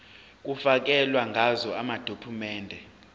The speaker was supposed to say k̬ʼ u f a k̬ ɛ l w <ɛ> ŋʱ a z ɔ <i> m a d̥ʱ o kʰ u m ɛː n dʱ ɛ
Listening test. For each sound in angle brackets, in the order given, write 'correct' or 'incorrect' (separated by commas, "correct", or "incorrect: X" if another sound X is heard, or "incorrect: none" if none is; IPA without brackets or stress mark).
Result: incorrect: a, incorrect: a